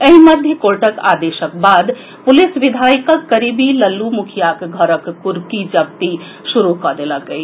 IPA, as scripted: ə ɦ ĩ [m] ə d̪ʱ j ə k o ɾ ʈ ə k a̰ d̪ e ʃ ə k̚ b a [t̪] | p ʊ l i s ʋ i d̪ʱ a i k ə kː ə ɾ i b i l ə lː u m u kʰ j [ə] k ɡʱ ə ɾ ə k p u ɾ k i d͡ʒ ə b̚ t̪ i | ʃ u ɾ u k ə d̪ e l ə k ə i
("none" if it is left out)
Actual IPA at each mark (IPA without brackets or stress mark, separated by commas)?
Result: m, d̪, a